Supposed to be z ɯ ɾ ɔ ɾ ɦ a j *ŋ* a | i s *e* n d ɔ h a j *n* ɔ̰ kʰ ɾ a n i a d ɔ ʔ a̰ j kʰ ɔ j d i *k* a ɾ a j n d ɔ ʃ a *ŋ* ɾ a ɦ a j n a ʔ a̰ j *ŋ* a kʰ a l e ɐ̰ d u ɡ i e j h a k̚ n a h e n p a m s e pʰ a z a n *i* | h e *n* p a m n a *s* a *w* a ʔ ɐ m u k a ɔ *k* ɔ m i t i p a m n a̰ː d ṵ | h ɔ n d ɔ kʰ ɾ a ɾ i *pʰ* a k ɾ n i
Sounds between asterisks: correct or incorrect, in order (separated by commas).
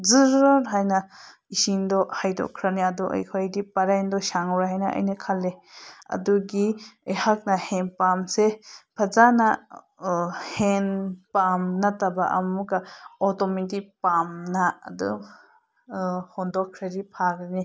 incorrect, incorrect, incorrect, incorrect, correct, incorrect, incorrect, correct, incorrect, incorrect, incorrect, correct